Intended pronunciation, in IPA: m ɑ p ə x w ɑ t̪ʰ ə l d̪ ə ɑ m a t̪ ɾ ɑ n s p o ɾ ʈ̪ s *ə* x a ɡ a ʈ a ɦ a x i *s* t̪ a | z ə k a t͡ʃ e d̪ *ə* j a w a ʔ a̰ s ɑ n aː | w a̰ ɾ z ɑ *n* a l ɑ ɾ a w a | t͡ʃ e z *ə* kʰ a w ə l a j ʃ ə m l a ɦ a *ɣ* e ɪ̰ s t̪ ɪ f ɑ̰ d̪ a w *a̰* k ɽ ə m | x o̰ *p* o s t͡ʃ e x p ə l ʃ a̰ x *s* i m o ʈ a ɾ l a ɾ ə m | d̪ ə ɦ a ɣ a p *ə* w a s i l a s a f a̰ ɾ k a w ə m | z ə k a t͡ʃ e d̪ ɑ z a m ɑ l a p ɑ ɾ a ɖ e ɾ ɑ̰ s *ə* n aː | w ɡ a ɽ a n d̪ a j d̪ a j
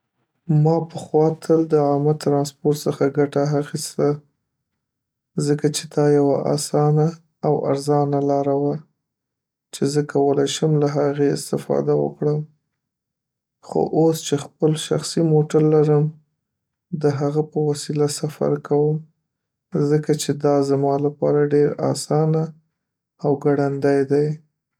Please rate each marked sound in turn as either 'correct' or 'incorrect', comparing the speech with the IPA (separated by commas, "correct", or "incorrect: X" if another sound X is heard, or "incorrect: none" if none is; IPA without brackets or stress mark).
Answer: correct, correct, incorrect: ɑ, correct, correct, correct, incorrect: ə̰, incorrect: ʔ, correct, correct, incorrect: ɑ